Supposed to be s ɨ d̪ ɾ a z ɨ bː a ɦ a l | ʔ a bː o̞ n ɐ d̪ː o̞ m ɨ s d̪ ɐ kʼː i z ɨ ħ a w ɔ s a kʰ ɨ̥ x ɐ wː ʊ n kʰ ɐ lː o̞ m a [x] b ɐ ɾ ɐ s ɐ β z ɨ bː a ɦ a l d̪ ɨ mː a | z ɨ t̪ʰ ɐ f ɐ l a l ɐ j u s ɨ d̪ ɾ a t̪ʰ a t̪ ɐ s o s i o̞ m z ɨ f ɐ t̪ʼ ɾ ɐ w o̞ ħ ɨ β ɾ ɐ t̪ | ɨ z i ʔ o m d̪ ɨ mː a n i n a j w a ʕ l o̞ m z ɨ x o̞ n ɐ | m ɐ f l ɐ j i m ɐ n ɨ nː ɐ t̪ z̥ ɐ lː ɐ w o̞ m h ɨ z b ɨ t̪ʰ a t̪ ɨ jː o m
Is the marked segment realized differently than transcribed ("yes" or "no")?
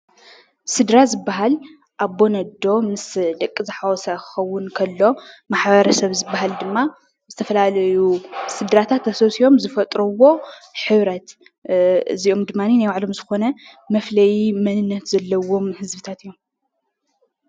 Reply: yes